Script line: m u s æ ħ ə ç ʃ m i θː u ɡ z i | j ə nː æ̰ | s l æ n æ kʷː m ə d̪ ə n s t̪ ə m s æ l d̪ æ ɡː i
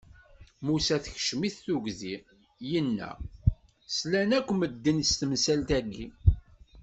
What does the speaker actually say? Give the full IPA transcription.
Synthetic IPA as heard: m u s æ θ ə ç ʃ m i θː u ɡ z i | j ə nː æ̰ | s l æ n æ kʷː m ə d̪ː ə n s t̪ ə m s æ l t̪ æ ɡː i